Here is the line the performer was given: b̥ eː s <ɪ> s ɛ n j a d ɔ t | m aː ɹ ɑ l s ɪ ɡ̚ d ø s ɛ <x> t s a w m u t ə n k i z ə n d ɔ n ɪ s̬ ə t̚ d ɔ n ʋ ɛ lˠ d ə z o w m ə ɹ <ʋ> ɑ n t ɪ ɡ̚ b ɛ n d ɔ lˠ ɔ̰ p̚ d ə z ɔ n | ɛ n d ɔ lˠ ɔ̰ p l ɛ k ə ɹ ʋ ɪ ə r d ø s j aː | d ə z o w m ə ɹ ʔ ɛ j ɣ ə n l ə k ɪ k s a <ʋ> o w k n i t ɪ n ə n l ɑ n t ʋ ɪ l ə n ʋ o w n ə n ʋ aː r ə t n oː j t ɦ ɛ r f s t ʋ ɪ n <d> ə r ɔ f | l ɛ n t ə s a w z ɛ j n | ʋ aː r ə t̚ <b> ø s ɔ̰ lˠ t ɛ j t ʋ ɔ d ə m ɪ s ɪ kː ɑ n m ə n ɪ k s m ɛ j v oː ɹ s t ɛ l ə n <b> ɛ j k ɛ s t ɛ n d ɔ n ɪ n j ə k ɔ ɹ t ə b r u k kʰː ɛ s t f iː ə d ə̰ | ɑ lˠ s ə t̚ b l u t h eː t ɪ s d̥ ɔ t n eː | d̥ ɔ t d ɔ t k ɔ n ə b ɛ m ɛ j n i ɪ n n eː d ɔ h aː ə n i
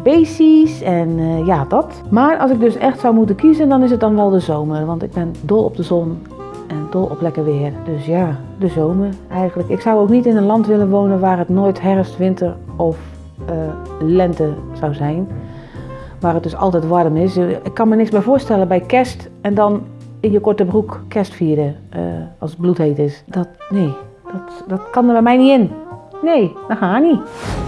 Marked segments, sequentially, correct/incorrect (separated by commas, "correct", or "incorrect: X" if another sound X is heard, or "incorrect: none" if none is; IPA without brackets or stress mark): incorrect: i, correct, correct, incorrect: w, incorrect: t, incorrect: d, correct